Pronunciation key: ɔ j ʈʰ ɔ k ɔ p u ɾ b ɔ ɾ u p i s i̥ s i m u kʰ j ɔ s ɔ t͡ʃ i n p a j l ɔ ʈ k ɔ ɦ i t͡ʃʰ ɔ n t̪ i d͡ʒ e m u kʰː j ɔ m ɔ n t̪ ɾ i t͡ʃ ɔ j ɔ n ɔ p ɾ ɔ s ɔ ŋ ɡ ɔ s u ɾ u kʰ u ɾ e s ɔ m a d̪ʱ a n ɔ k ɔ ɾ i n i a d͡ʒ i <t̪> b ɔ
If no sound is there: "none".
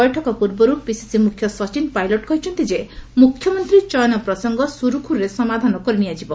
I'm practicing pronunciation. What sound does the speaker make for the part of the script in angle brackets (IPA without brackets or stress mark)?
none